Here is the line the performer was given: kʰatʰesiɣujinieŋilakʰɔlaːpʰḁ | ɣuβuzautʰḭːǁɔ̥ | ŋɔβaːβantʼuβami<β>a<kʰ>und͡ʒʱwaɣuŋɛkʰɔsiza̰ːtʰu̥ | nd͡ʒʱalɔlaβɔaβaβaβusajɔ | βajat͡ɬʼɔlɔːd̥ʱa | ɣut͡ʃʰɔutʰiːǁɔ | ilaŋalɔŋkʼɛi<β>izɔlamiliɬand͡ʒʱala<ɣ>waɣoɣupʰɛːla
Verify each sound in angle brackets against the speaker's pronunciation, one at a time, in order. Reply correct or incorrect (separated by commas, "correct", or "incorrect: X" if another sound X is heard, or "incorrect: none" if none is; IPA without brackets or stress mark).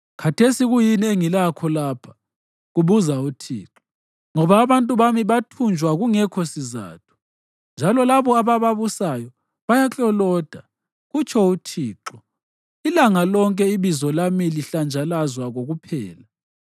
correct, incorrect: tʰ, correct, incorrect: z